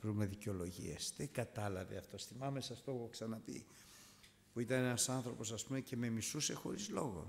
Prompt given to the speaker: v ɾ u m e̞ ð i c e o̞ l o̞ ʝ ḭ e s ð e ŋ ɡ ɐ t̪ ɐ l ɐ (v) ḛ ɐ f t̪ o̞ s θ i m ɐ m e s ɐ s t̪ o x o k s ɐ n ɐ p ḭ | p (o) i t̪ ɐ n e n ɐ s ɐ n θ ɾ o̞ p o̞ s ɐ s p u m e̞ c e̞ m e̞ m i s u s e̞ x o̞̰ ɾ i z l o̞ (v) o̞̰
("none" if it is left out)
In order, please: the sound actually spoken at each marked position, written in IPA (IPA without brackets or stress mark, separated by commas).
v, u, ɣ